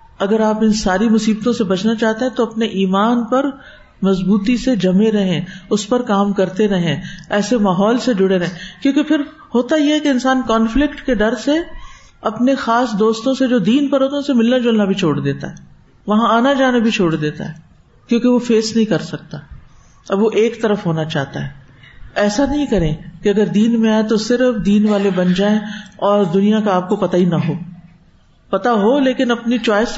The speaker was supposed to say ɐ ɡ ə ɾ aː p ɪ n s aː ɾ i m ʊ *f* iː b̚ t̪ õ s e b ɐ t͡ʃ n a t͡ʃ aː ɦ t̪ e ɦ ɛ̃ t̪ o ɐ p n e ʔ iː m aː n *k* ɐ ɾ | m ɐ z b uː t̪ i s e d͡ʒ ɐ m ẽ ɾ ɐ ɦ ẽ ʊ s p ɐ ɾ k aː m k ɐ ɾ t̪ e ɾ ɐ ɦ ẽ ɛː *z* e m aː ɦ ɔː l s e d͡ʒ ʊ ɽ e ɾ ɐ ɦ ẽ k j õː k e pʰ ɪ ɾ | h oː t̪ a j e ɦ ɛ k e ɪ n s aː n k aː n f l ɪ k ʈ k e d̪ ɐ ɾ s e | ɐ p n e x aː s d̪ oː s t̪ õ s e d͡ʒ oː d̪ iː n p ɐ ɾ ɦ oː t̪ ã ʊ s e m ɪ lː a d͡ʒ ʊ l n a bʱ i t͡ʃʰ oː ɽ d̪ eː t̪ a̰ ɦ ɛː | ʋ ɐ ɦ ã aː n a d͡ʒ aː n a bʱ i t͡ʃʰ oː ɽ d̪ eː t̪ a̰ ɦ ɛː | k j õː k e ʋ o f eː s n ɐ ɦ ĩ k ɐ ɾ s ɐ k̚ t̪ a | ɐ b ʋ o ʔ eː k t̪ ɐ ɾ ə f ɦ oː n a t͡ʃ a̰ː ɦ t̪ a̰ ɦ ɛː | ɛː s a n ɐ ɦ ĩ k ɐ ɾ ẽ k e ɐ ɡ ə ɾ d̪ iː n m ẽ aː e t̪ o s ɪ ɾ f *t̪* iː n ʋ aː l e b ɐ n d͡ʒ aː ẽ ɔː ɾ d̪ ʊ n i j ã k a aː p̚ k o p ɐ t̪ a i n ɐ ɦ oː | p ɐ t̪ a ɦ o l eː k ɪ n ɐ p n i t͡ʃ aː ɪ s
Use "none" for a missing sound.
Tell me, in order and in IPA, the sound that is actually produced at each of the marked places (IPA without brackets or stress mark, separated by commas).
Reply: s, p, s, d̪